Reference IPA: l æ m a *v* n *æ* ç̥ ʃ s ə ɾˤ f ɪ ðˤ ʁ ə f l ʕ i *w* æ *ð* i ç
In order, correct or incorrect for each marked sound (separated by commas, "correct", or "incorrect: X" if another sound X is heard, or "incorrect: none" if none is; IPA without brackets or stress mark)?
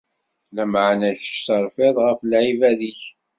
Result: incorrect: ʕ, correct, incorrect: v, correct